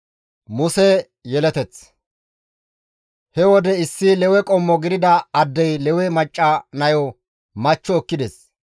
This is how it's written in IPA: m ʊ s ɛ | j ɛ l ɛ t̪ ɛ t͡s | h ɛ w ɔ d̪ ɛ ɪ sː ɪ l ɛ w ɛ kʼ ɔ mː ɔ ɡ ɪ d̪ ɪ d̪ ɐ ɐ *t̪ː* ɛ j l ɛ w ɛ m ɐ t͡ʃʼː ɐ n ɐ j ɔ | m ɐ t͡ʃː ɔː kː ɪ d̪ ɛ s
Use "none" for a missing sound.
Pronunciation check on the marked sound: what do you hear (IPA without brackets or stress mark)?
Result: d̪ː